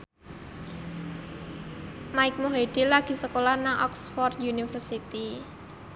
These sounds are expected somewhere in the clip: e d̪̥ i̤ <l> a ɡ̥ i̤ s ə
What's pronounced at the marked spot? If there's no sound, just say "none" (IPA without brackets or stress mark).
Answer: l